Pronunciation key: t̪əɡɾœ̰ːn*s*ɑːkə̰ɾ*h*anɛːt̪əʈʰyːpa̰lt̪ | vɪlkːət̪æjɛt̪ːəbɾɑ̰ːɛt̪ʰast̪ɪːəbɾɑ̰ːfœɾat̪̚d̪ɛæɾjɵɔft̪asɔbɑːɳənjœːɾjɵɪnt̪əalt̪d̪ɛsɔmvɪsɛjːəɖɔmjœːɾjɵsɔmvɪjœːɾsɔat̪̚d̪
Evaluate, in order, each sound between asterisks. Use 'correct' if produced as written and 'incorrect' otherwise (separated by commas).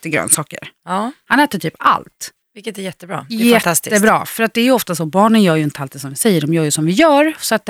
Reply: correct, correct